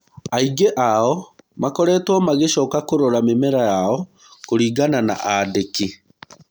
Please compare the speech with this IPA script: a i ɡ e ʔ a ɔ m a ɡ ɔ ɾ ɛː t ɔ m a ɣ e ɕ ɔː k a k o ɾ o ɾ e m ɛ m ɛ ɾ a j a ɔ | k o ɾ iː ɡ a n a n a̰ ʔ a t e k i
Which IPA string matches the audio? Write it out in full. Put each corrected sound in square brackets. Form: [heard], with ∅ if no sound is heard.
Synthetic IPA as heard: a i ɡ e ʔ a ɔ m a [k] ɔ ɾ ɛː t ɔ m a ɣ e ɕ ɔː k a k o ɾ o ɾ [a] m [e] m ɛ ɾ a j a ɔ | k o ɾ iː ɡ a n a n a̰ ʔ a [d] e k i